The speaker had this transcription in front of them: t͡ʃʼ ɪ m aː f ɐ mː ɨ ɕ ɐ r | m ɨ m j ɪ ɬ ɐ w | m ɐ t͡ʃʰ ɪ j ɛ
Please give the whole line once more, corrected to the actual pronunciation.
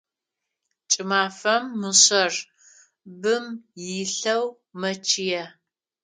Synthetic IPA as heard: t͡ʃʼ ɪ m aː f ɐ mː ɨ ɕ ɐ r | b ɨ m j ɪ ɬ ɐ w | m ɐ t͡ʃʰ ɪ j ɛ